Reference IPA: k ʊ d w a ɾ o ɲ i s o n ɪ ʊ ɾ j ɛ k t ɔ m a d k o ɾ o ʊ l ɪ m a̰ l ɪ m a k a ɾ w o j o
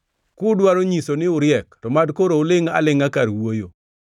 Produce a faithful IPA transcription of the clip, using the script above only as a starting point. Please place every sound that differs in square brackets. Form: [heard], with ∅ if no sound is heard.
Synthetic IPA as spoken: k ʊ d w a ɾ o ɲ i s o n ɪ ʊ ɾ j ɛ k t ɔ m a d k o ɾ o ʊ l ɪ [ŋ] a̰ l ɪ [ŋ] a k a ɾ w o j o